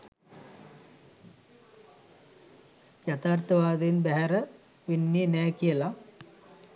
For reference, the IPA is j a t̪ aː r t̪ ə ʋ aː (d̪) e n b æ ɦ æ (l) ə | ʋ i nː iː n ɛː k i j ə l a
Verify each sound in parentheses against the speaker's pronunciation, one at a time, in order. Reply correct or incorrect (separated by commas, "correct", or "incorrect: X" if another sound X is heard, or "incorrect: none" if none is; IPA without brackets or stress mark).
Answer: correct, incorrect: ɾ